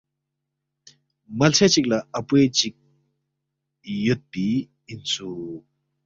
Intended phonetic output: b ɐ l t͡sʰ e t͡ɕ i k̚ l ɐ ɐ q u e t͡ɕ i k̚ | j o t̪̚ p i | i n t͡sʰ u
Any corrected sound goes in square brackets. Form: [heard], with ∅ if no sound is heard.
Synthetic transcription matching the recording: [m] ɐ l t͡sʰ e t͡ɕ i k̚ l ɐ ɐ [p] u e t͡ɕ i k̚ | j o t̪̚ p i | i n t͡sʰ u